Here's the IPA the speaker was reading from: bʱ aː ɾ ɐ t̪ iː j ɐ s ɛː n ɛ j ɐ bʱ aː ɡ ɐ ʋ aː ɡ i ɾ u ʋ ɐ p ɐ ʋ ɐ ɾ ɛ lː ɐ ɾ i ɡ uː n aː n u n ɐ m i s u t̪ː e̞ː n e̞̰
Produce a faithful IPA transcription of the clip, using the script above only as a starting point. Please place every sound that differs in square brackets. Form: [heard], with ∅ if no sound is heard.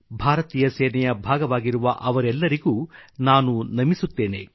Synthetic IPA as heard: bʱ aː ɾ ɐ t̪ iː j ɐ s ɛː n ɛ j ɐ bʱ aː ɡ ɐ ʋ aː ɡ i ɾ u ʋ ɐ [ʔ] ɐ ʋ ɐ ɾ ɛ lː ɐ ɾ i ɡ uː n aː n u n ɐ m i s u t̪ː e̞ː n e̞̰